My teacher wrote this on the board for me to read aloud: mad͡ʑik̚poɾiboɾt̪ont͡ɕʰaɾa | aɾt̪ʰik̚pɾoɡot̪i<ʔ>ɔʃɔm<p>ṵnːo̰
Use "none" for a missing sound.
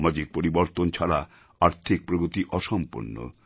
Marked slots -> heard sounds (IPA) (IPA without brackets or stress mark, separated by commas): ʔ, p